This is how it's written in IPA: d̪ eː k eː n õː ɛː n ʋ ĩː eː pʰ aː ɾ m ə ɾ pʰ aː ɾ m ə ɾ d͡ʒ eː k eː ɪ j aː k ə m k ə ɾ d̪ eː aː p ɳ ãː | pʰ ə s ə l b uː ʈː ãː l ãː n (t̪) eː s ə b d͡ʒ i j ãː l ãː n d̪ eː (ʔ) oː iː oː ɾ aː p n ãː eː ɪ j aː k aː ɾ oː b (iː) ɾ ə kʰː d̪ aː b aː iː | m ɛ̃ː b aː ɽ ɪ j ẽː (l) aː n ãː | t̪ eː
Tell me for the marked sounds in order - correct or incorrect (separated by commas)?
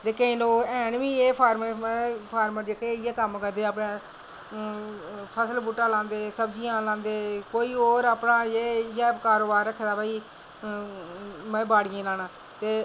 incorrect, incorrect, incorrect, correct